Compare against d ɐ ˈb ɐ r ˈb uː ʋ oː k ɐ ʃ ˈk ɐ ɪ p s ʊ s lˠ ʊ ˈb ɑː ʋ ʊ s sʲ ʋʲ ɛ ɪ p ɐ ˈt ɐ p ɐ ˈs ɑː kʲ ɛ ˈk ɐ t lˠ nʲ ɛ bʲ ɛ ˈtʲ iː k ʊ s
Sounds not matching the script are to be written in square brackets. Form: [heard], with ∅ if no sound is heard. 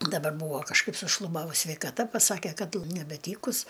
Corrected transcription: d ɐ ˈb ɐ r ˈb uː ʋ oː k ɐ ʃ ˈk ɐ ɪ p s ʊ [ʃ] lˠ ʊ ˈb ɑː ʋ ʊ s sʲ ʋʲ ɛ ɪ [k] ɐ ˈt ɐ p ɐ ˈs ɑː kʲ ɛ ˈk ɐ t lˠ nʲ ɛ bʲ ɛ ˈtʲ iː k ʊ s